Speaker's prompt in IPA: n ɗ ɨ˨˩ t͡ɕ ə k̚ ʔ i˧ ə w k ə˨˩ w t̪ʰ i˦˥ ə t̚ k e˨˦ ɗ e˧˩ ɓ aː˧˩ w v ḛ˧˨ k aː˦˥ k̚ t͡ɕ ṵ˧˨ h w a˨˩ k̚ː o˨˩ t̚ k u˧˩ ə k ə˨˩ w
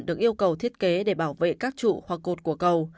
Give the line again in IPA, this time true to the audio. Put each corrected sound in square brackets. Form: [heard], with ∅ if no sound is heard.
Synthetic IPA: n ɗ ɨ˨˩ [∅] ə k̚ ʔ i˧ ə w k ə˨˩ w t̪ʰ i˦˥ ə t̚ k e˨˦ ɗ e˧˩ ɓ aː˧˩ w v ḛ˧˨ k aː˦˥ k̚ t͡ɕ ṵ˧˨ h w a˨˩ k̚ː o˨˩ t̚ k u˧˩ ə k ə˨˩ w